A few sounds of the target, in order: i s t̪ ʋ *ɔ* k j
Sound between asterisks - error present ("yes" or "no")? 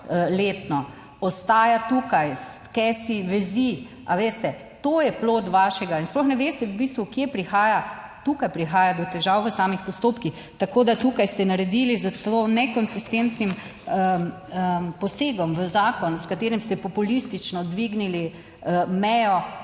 yes